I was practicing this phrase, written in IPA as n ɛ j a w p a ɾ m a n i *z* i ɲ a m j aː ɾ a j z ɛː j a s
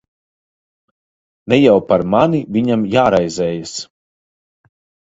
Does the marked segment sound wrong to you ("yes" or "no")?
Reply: yes